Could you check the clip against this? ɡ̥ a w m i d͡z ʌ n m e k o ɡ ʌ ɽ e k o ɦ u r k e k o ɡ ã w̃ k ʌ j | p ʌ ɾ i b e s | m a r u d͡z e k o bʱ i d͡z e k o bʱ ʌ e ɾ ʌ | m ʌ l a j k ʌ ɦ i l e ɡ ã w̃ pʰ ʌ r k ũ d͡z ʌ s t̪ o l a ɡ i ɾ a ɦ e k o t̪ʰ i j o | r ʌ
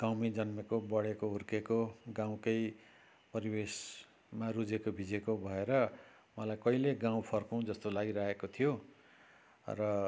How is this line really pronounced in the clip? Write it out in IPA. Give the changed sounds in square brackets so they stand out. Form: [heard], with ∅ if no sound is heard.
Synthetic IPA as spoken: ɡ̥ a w m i d͡z ʌ n m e k o [b] ʌ ɽ e k o ɦ u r k e k o ɡ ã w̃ k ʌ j | p ʌ ɾ i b e s | m a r u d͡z e k o bʱ i d͡z e k o bʱ ʌ e ɾ ʌ | m ʌ l a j k ʌ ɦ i l e ɡ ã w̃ pʰ ʌ r k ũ d͡z ʌ s t̪ o l a ɡ i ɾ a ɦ e k o t̪ʰ i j o | r ʌ